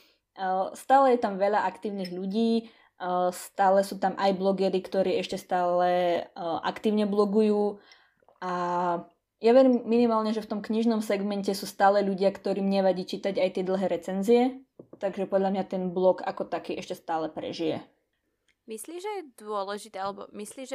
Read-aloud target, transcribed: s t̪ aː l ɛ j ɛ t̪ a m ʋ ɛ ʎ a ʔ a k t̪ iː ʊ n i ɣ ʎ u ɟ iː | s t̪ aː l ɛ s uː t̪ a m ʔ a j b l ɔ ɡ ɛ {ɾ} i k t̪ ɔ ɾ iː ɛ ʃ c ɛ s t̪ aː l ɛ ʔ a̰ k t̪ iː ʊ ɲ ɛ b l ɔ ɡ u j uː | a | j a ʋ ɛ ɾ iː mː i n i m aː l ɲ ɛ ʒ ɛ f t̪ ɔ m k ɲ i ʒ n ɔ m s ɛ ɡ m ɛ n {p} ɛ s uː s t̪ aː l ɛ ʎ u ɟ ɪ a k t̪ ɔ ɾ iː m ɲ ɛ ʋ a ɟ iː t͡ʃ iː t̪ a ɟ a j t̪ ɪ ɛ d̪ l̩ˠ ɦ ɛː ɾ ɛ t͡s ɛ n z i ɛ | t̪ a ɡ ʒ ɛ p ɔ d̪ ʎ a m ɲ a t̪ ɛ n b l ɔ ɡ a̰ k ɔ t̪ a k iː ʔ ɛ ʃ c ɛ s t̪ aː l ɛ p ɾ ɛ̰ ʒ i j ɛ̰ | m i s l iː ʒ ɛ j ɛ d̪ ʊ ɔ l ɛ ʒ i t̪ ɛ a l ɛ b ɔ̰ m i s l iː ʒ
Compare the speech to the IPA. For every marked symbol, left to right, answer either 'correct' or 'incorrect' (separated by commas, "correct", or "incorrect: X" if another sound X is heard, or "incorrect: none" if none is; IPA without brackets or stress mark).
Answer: correct, incorrect: c